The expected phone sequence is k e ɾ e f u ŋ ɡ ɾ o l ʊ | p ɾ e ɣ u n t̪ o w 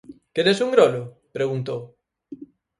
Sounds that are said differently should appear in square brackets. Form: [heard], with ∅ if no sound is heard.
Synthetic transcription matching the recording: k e ɾ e [s] u ŋ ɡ ɾ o l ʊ | p ɾ e ɣ u n t̪ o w